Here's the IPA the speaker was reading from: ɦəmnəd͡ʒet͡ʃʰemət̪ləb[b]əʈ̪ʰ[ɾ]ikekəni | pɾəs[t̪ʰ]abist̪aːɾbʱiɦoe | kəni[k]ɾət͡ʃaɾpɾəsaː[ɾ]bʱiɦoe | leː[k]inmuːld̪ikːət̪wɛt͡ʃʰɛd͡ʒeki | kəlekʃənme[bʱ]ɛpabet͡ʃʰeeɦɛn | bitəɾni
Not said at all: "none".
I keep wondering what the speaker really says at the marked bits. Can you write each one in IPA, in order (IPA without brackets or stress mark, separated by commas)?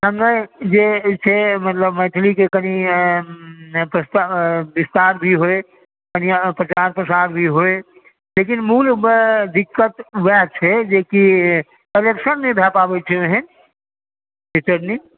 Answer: m, l, t̪, p, ɾ, k, bʱ